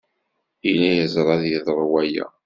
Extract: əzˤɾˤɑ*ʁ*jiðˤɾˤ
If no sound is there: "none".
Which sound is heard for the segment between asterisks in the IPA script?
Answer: ð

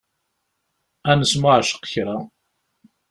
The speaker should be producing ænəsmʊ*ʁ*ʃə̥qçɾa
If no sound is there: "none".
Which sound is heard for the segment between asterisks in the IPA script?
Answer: ʕ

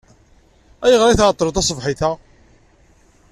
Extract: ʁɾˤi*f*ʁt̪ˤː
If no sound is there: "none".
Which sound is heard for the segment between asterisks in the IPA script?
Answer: θ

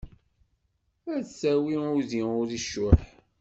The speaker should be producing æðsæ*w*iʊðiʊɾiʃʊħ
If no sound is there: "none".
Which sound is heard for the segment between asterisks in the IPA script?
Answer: w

